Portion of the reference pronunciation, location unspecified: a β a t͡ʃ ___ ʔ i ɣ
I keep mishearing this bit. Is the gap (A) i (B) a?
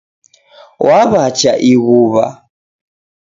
B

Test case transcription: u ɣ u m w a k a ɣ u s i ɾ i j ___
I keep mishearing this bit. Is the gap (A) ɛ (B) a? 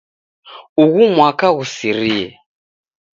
A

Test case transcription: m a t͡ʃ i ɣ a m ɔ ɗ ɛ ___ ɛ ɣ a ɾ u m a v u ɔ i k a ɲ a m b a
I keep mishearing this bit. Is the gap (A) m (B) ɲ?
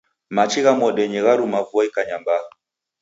B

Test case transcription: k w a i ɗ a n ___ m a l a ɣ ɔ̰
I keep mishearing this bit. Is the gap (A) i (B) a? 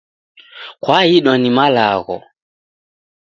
A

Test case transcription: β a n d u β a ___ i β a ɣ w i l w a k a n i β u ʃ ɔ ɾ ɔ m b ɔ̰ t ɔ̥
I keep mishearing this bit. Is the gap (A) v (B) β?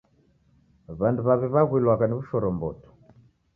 B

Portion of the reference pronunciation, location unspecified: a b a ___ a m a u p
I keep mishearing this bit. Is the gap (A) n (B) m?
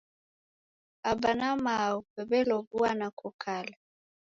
A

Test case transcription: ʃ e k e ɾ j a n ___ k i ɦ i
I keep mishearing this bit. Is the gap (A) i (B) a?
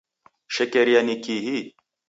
A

